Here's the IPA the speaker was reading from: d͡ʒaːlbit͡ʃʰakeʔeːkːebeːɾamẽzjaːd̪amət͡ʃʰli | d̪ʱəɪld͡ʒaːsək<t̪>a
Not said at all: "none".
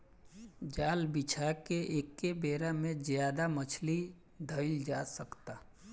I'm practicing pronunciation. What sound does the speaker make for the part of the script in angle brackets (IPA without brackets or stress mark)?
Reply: t̪